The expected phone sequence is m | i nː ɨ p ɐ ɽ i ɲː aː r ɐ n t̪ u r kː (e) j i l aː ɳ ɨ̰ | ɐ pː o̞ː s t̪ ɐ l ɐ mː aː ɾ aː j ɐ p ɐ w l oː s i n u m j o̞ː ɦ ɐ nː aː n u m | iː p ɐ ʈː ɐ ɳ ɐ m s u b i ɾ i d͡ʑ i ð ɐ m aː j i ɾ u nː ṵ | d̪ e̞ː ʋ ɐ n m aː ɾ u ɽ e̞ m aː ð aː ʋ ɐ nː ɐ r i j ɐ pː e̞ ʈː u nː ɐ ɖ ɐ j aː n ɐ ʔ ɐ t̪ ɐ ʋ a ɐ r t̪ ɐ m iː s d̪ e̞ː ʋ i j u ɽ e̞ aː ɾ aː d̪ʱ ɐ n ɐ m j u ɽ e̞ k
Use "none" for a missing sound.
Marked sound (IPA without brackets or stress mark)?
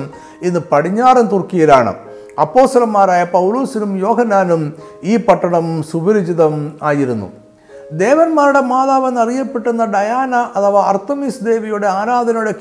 i